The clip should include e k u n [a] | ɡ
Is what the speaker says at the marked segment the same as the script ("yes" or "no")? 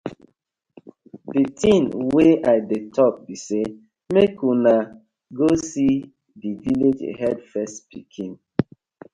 yes